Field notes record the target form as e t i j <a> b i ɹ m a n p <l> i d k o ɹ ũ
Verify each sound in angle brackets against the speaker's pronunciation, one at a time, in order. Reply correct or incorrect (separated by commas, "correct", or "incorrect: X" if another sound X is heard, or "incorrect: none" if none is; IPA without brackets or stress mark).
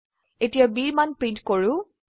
correct, incorrect: ɹ